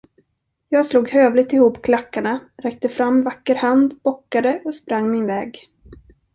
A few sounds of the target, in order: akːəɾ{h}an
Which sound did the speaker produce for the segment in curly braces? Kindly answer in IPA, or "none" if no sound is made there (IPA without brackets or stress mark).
h